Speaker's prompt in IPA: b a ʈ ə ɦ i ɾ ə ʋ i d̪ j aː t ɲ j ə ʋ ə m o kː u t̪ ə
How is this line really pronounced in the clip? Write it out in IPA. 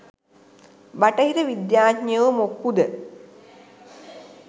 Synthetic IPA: b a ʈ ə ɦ i ɾ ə ʋ i d̪ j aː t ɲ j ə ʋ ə m o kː u d̪ ə